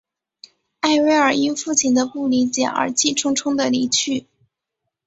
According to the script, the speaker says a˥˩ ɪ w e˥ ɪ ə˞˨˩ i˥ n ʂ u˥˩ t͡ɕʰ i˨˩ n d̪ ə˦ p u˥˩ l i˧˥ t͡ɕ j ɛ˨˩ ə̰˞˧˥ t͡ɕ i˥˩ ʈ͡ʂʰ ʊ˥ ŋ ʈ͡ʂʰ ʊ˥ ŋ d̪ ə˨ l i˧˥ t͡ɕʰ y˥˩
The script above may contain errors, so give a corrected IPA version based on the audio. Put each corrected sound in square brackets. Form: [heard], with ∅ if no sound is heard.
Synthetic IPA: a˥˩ ɪ w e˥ ɪ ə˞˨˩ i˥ n [f] u˥˩ t͡ɕʰ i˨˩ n d̪ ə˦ p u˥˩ l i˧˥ t͡ɕ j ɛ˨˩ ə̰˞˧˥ t͡ɕ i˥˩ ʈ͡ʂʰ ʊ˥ ŋ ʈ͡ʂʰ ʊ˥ ŋ d̪ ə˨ l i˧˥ t͡ɕʰ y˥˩